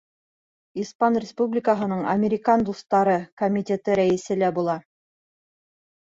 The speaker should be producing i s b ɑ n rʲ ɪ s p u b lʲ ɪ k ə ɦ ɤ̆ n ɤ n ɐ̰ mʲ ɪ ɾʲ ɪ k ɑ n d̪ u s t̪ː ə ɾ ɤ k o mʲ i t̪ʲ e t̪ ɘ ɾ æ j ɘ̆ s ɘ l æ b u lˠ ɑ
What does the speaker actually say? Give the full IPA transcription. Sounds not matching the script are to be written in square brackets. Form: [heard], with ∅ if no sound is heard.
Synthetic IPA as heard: i s [p] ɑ n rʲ ɪ s p u b lʲ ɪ k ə ɦ ɤ̆ n ɤ [ɴ] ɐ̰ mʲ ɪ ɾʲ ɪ k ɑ n d̪ u s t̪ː [ɑ] ɾ ɤ k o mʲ i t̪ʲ e t̪ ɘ ɾ æ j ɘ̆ s ɘ l æ b u lˠ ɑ